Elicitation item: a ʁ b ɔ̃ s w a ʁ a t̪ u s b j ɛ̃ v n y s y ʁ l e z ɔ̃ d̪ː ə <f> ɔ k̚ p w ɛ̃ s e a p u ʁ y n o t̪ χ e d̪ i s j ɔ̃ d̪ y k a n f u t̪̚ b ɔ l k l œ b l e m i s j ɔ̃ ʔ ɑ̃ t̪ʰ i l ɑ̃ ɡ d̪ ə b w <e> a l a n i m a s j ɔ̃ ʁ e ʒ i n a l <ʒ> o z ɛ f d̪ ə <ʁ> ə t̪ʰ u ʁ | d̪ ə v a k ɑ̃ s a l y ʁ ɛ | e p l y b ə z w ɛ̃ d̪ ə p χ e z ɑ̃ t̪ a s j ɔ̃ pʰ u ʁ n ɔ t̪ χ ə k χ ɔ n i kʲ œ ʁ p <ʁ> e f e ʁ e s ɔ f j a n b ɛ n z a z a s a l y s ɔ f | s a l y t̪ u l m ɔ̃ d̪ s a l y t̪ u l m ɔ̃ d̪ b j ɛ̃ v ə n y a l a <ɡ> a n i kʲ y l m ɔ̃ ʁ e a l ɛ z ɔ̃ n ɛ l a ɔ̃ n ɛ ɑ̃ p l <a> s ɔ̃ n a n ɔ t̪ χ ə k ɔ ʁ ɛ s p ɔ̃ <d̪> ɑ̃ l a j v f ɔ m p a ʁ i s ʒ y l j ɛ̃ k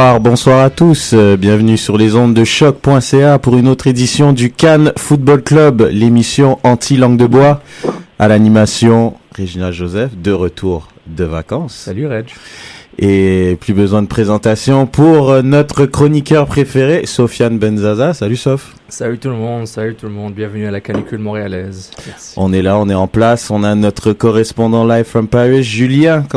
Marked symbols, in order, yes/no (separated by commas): no, no, yes, yes, no, no, yes, yes